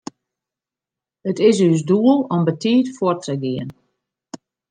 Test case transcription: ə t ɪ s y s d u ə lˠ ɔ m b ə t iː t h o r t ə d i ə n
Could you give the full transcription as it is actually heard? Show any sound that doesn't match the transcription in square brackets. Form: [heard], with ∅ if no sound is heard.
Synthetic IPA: ə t ɪ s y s d u ə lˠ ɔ m b ə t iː t [f] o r t ə [ɡ] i ə n